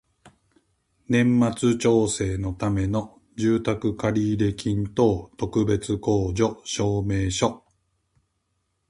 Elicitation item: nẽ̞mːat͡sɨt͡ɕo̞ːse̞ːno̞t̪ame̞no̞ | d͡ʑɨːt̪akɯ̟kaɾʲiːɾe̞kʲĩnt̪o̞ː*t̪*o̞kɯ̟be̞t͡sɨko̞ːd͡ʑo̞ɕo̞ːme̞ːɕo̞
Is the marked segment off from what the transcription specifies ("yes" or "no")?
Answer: no